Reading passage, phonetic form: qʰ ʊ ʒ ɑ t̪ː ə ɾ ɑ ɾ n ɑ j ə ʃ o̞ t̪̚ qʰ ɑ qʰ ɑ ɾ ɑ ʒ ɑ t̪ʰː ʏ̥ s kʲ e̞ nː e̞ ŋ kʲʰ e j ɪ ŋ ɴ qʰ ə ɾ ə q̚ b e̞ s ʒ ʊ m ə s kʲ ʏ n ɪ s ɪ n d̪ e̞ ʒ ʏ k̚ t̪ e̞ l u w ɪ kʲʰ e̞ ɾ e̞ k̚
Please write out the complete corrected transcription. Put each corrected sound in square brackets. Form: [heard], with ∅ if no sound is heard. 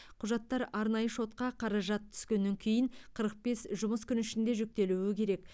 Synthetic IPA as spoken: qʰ ʊ ʒ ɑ t̪ː [ɑ] ɾ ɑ ɾ n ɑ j ə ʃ o̞ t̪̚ [q] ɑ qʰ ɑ ɾ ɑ ʒ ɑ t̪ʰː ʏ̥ s kʲ e̞ nː e̞ ŋ kʲʰ e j ɪ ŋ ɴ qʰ ə ɾ ə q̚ b e̞ s ʒ ʊ m ə s kʲ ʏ n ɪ [ʃ] ɪ n d̪ e̞ ʒ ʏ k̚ t̪ e̞ l u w ɪ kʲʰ e̞ ɾ e̞ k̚